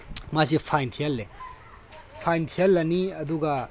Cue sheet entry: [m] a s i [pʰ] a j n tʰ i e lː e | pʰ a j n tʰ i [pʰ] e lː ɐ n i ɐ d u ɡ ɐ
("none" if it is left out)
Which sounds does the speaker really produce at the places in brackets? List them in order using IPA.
m, pʰ, none

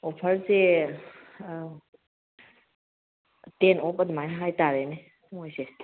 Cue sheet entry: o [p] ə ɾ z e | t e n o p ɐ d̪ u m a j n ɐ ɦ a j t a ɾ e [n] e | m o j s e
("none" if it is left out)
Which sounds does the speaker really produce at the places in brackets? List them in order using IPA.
pʰ, n

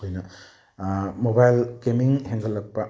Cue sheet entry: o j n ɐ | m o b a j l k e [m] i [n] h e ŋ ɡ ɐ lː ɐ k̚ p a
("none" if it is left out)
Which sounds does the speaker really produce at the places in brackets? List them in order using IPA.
m, ŋ

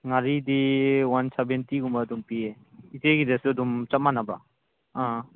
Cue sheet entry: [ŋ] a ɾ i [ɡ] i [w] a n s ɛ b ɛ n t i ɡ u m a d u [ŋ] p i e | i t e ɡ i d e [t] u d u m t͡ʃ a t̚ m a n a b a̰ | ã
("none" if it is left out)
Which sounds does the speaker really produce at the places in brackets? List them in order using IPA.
ŋ, d, w, m, s

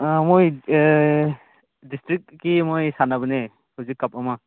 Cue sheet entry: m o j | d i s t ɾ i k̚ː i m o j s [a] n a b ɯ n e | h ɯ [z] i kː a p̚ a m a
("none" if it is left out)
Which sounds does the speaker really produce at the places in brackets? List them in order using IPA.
a, z

